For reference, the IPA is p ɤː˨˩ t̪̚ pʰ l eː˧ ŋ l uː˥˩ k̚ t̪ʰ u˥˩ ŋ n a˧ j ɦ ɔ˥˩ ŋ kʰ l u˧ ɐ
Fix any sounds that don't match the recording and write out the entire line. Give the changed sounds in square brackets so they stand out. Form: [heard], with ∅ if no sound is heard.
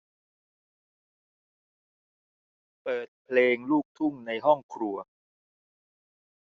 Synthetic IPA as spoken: p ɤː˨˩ t̪̚ pʰ l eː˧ ŋ l uː˥˩ k̚ t̪ʰ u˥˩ ŋ n a˧ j ɦ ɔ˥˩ ŋ kʰ [ɾ] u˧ ɐ